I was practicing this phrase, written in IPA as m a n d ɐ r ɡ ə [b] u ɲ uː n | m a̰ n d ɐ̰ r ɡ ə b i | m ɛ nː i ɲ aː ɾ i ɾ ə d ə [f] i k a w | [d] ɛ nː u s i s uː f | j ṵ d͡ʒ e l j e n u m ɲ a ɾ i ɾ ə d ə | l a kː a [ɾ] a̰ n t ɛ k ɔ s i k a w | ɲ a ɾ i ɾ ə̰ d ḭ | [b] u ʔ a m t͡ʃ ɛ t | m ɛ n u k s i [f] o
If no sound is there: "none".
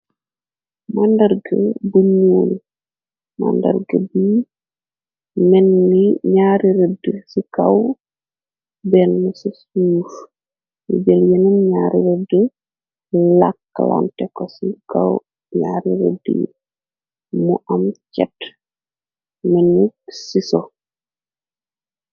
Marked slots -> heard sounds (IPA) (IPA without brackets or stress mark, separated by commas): b, s, b, l, m, s